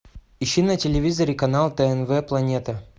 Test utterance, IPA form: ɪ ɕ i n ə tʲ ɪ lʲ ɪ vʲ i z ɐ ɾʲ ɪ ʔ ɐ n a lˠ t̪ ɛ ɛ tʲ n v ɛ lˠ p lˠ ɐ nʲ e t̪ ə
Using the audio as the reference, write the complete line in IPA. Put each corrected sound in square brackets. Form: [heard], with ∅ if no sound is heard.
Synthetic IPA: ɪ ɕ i n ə tʲ ɪ lʲ ɪ vʲ i z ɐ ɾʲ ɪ [k] ɐ n a lˠ t̪ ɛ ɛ [∅] n v ɛ [∅] p lˠ ɐ nʲ e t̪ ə